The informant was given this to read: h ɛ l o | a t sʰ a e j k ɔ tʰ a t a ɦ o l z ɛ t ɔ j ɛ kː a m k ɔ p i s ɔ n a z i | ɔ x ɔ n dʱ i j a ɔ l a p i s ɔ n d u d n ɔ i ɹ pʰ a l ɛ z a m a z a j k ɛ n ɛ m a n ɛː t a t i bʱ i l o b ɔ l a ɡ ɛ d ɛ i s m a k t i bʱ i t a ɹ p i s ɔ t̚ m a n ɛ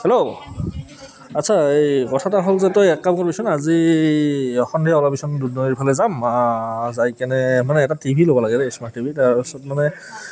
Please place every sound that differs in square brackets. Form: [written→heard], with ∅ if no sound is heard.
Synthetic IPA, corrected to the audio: h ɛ l o | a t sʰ a e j k ɔ tʰ a t a ɦ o l z ɛ t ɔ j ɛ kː a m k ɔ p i s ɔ n a z i | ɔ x ɔ n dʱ i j a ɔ l a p i s ɔ n d u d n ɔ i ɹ pʰ a l ɛ z a m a z a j k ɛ n ɛ m a n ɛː t a t i bʱ i l o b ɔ l a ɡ ɛ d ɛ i s m a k t i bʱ i t a ɹ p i s ɔ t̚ m a n ɛ

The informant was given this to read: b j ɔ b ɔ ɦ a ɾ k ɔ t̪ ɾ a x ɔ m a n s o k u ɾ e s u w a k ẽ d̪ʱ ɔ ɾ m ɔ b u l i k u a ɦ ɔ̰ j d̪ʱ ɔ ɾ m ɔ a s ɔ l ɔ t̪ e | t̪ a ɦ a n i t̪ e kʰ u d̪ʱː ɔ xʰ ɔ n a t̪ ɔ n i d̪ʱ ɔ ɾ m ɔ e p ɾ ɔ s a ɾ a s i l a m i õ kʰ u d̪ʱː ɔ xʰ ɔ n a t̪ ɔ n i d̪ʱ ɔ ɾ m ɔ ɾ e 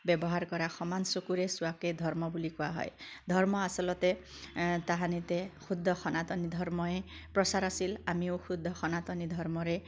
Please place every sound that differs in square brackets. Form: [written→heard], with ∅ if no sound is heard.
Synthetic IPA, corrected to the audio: b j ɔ b ɔ ɦ a ɾ k ɔ [t̪→∅] ɾ a x ɔ m a n s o k u ɾ e s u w a k [ẽ→e] d̪ʱ ɔ ɾ m ɔ b u l i k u a ɦ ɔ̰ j d̪ʱ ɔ ɾ m ɔ a s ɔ l ɔ t̪ e | t̪ a ɦ a n i t̪ e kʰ u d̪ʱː ɔ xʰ ɔ n a t̪ ɔ n i d̪ʱ ɔ ɾ m ɔ e p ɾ ɔ s a ɾ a s i l a m i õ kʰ u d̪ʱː ɔ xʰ ɔ n a t̪ ɔ n i d̪ʱ ɔ ɾ m ɔ ɾ e

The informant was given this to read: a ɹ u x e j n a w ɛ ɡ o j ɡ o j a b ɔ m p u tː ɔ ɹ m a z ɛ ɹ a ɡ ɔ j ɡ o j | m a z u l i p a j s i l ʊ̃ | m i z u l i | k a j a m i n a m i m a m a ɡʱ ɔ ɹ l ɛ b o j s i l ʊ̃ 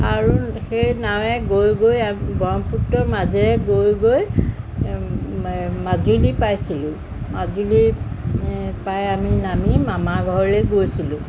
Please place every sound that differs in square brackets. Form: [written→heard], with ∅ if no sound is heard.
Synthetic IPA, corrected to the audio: a ɹ u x e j n a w ɛ ɡ o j ɡ o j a b ɔ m p u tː ɔ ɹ m a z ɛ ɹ [a→ɛ] ɡ [ɔ→o] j ɡ o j | m a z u l i p a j s i l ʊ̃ | m [i→a] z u l i | [k→p] a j a m i n a m i m a m a ɡʱ ɔ ɹ l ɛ [b→ɡ] o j s i l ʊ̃

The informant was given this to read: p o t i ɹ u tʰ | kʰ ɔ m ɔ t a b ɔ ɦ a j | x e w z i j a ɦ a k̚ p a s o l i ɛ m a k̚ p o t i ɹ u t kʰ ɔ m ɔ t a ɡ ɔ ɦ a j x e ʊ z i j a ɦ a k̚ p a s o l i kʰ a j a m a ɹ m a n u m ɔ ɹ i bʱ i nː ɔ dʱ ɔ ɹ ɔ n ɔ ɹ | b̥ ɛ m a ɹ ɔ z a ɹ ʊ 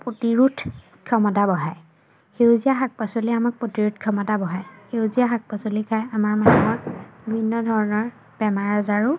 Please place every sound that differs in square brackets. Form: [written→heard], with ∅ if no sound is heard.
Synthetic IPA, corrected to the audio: p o t i ɹ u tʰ | kʰ ɔ m ɔ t a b ɔ ɦ a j | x e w z i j a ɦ a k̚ p a s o l i [ɛ→a] m a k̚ p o t i ɹ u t kʰ ɔ m ɔ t a [ɡ→b] ɔ ɦ a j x e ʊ z i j a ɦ a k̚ p a s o l i kʰ a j a m a ɹ m a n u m ɔ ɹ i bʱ i nː ɔ dʱ ɔ ɹ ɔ n ɔ ɹ | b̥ ɛ m a ɹ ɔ z a ɹ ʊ

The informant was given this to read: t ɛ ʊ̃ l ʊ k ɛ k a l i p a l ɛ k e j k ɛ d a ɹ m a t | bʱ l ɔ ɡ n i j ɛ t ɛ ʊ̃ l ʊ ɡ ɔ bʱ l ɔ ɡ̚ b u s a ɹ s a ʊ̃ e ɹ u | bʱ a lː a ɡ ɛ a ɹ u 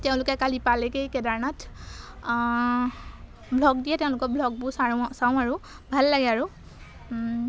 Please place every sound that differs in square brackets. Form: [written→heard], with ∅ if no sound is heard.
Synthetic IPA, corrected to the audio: t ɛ ʊ̃ l ʊ k ɛ k a l i p a l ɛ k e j k ɛ d a ɹ [m→n] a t | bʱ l ɔ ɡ [n→d] i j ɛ t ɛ ʊ̃ l ʊ [ɡ→k] ɔ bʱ l ɔ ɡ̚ b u s a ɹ s a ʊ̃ [e→a] ɹ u | bʱ a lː a ɡ ɛ a ɹ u

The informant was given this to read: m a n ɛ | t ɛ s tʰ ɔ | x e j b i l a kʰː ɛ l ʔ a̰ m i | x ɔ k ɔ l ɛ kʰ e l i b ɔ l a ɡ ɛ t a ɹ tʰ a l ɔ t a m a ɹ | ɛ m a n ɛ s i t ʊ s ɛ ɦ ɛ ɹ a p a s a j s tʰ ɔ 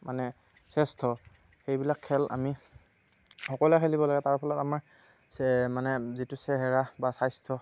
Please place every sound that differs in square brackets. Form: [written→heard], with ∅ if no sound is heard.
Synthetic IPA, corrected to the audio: m a n ɛ | [t→s] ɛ s tʰ ɔ | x e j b i l a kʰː ɛ l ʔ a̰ m i | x ɔ k ɔ l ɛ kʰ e l i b ɔ l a ɡ ɛ t a ɹ [tʰ→pʰ] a l ɔ t a m a ɹ | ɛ m a n ɛ [s→z] i t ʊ s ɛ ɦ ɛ ɹ a [p→b] a s a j s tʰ ɔ

